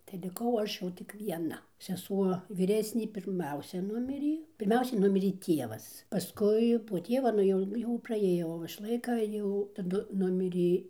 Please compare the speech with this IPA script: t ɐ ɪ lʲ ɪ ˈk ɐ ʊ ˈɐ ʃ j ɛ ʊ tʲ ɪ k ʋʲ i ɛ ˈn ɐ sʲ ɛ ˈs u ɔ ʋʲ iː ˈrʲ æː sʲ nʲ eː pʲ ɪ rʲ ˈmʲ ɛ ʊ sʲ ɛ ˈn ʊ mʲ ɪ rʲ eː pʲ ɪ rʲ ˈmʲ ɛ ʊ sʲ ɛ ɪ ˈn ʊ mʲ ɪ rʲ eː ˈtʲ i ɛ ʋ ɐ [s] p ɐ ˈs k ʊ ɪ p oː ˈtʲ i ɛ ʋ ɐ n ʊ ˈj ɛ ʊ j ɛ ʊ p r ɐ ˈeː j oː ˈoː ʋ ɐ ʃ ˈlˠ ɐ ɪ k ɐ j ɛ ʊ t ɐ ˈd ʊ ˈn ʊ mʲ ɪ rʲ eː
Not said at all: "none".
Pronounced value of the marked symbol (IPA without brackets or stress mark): s